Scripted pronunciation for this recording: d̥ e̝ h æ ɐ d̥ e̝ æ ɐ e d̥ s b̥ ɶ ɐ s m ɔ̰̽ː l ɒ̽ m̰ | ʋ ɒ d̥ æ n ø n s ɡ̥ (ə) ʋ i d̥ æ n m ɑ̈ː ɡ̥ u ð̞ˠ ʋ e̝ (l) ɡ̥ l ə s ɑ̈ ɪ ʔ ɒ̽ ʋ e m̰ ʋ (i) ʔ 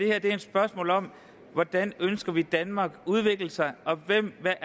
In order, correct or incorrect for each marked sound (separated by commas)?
incorrect, incorrect, incorrect